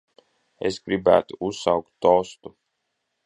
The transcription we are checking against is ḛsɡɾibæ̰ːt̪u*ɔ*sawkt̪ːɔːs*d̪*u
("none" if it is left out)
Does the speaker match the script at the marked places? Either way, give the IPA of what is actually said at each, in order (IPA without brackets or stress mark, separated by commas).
u, t̪